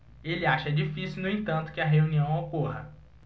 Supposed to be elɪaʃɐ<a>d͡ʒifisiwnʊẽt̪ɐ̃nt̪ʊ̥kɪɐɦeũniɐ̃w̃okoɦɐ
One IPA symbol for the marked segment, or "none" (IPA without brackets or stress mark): ɛ